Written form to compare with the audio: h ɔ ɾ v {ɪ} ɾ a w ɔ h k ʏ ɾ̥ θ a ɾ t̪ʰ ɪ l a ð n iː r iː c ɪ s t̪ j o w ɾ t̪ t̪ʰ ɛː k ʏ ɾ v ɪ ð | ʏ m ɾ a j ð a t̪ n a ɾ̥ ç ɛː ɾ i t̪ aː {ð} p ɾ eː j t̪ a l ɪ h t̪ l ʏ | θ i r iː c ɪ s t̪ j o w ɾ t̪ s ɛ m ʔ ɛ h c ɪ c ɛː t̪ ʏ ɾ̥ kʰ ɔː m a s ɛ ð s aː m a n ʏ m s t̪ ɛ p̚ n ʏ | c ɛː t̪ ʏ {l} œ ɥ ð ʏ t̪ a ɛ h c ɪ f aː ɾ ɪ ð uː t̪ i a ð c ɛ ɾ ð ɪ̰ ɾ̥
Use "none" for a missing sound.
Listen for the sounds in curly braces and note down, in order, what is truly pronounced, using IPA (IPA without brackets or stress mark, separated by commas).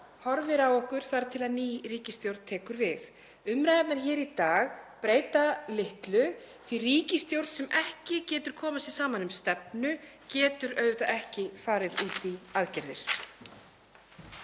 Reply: ɪ, ɣ, ɾ